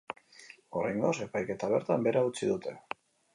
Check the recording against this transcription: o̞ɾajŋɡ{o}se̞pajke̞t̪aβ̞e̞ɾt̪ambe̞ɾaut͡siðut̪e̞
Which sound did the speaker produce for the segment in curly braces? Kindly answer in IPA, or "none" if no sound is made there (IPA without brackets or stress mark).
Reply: o